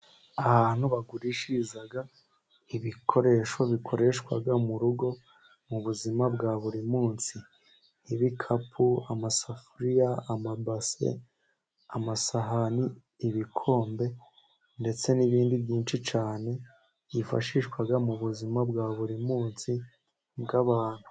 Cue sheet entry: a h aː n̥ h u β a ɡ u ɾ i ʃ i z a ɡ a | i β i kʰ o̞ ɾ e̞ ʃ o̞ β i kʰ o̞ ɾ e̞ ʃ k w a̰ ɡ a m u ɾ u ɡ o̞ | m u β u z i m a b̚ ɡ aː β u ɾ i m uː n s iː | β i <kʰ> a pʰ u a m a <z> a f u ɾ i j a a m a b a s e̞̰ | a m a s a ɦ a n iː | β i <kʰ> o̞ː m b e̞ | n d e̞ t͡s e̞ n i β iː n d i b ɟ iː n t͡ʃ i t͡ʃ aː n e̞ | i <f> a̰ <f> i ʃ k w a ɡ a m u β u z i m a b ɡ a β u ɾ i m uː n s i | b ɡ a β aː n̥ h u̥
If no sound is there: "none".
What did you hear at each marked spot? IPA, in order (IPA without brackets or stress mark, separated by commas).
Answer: kʰ, s, kʰ, f, ʃ